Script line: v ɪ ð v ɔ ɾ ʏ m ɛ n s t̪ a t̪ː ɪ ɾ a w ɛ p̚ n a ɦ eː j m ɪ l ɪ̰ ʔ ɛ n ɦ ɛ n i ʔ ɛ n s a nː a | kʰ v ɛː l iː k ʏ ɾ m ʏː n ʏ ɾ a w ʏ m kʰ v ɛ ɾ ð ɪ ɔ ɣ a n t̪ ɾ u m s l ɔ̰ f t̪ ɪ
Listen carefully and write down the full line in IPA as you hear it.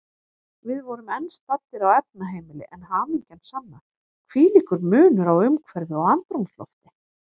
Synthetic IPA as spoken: v ɪ ð v ɔ ɾ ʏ m ɛ n s t̪ a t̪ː ɪ ɾ a w ɛ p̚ n a ɦ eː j m ɪ l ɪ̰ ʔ ɛ n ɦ a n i c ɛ n s a nː a | kʰ v iː l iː k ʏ ɾ m ʏː n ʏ ɾ a w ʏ m kʰ v ɛ ɾ ð ɪ ɔ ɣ a n t̪ ɾ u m s l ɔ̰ f t̪ ɪ